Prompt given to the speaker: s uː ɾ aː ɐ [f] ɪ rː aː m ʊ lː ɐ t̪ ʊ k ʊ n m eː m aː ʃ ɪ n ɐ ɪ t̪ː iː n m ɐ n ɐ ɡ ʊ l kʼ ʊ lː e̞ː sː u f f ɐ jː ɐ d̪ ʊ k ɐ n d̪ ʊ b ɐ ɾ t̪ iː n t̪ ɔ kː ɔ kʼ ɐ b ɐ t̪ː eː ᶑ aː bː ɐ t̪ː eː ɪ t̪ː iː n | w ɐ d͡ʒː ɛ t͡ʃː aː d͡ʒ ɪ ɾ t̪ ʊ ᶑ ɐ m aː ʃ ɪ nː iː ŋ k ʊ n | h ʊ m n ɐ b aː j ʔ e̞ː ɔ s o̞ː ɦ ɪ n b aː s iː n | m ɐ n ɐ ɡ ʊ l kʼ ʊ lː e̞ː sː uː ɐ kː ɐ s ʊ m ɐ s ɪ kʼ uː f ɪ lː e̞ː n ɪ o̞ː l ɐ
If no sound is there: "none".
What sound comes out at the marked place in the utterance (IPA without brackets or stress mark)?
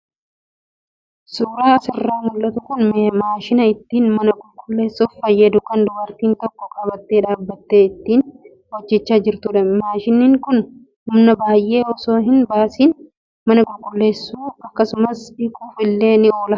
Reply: s